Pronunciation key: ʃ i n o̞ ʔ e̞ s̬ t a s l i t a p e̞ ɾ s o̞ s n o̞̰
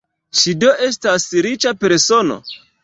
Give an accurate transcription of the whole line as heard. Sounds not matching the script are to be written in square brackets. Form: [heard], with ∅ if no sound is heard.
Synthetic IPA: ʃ i [d] o̞ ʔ e̞ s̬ t a s [ɾ] i [t͡ʃ] a p e̞ ɾ s o̞ [∅] n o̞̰